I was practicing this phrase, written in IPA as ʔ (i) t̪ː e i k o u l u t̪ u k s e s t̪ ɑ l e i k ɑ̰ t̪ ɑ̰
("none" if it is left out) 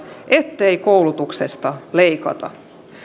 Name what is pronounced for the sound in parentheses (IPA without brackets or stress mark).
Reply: e